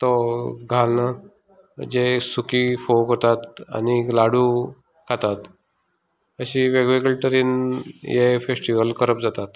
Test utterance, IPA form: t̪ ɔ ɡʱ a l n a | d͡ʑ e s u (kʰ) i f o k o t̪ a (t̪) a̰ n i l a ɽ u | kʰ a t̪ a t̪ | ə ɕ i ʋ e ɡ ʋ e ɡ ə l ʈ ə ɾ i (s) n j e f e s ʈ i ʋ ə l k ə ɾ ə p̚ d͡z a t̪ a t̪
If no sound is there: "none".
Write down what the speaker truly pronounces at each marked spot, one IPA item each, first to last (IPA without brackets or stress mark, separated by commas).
k, t̪, none